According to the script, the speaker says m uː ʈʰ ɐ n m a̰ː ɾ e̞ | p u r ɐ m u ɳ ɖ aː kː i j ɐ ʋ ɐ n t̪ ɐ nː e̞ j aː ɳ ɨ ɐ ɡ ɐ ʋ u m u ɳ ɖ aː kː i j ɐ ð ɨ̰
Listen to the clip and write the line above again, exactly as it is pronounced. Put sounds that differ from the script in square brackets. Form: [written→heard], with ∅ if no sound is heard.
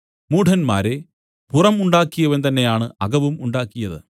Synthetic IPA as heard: m uː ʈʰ ɐ n m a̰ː ɾ e̞ | p u r ɐ m u ɳ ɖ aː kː i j ɐ ʋ ɐ n t̪ ɐ nː e̞ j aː ɳ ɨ ɐ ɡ ɐ ʋ u m u ɳ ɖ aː kː i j ɐ ð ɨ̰